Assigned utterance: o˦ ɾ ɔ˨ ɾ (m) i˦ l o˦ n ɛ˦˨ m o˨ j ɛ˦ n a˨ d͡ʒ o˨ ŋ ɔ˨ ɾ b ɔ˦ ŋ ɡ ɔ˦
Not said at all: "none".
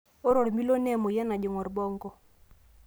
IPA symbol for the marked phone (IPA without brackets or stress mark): m